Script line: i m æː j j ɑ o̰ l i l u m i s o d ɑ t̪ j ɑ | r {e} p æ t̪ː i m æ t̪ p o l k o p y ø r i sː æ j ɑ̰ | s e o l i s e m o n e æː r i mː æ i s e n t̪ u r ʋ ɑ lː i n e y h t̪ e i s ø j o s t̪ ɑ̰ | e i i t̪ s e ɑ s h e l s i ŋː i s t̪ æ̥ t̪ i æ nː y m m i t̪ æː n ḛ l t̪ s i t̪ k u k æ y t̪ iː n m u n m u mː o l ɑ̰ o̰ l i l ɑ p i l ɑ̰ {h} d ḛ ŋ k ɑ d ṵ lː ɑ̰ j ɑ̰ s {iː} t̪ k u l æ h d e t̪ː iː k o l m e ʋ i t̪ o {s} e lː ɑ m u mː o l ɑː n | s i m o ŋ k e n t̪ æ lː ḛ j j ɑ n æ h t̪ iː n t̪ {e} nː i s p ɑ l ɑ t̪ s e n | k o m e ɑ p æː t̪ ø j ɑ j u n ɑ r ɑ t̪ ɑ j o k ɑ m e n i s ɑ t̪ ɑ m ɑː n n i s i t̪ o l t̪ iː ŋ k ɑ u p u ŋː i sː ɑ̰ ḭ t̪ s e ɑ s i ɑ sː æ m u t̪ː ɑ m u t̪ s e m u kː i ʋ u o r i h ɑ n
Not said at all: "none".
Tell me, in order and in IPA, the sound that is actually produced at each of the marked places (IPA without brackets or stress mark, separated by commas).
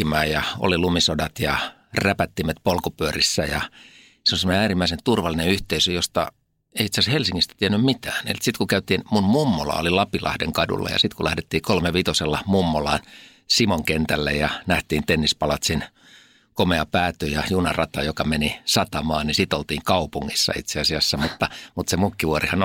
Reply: æ, h, i, s, e